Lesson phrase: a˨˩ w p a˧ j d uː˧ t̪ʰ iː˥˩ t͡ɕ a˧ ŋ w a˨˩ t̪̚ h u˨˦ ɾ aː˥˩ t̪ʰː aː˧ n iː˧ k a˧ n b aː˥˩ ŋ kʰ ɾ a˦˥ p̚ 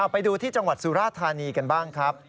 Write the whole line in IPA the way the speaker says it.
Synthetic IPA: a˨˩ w p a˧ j d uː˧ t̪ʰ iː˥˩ t͡ɕ a˧ ŋ w a˨˩ t̪̚ s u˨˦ ɾ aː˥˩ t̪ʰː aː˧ n iː˧ k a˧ n b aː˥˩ ŋ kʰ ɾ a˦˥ p̚